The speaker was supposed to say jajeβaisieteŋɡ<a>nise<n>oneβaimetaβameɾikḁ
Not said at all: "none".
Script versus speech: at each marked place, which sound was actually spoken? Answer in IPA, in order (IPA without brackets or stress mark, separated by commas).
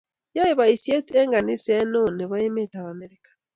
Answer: a, n